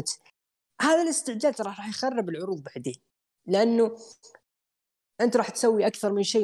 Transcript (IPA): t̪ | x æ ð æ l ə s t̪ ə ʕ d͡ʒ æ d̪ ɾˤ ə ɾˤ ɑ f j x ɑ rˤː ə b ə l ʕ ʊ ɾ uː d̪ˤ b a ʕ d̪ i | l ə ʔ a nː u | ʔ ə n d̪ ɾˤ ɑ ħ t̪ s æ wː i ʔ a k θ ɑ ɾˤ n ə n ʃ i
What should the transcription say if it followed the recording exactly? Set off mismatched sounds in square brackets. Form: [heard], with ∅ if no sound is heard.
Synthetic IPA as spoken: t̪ | [h] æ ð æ l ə s t̪ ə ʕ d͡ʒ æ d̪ ɾˤ [ɑ] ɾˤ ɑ [ħ] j x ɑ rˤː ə b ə l ʕ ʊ ɾ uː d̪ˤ b a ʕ d̪ i | l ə ʔ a nː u | ʔ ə n [t̪] ɾˤ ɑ ħ t̪ s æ wː i ʔ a k θ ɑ ɾˤ [m] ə n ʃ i